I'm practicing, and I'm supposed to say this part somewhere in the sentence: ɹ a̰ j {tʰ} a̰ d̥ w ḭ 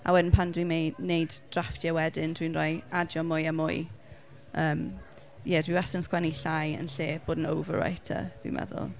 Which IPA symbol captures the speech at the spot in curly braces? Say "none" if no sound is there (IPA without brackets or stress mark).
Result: tʰ